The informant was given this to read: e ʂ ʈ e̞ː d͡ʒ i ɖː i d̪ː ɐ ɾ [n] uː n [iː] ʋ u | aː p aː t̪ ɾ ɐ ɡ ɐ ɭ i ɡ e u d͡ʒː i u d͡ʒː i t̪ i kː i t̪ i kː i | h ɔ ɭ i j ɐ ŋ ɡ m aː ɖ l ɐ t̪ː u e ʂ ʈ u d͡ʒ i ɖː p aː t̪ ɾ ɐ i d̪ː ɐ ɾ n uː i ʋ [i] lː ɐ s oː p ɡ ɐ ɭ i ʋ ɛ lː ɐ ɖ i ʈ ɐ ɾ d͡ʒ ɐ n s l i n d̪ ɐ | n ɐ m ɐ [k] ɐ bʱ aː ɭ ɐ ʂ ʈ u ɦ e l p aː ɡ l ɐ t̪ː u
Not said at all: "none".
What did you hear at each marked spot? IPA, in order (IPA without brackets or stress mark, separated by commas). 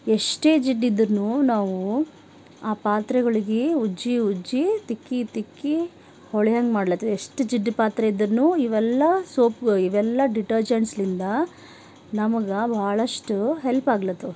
n, aː, ɛ, ɡ